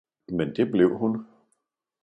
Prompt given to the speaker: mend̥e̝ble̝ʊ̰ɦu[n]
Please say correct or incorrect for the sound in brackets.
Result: correct